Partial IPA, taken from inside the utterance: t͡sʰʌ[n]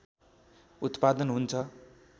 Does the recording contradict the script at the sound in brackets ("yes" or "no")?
yes